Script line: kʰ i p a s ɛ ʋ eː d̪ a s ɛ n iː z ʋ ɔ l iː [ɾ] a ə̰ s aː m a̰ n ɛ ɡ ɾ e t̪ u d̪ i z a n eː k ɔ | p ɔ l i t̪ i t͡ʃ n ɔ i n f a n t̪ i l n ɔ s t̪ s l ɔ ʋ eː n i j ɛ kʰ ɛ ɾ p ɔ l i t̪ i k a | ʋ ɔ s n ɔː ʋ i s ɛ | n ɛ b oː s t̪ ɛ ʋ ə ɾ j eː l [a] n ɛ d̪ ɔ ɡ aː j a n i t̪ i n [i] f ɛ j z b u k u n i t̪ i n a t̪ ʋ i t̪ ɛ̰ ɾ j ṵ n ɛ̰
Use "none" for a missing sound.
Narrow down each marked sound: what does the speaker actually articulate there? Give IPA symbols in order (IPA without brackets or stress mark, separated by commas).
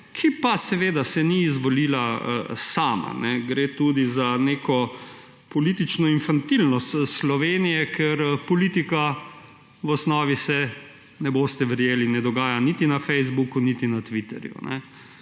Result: l, i, a